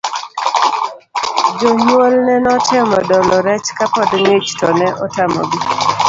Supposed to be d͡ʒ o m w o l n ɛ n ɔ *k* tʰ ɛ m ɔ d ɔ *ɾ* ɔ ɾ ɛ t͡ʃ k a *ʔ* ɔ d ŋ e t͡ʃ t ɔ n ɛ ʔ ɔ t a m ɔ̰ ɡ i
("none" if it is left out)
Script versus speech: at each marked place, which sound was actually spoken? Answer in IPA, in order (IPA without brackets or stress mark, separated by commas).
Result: none, l, p